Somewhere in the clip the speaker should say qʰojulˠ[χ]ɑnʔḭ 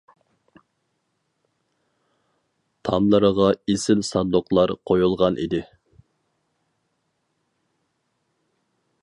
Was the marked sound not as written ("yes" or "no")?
yes